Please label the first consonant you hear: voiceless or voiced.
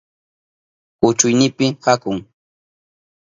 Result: voiceless